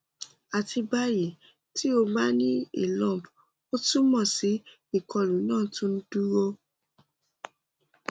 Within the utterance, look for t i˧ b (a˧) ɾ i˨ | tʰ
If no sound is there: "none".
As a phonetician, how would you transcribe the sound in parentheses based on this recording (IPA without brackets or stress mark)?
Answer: a˧